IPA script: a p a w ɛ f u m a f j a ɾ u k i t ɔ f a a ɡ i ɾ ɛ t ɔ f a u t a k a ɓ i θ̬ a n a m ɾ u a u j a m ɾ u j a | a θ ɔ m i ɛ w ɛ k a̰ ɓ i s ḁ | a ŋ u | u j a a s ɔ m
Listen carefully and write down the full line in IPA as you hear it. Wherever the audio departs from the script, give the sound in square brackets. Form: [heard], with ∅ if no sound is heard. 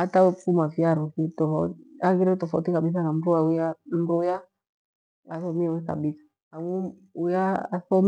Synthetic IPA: a [t] a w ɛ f u m a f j a ɾ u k i t ɔ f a a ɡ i ɾ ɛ t ɔ f a u t [i] k a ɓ i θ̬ a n a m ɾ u a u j a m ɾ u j a | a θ ɔ m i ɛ w ɛ k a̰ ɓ i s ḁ | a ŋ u | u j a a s ɔ m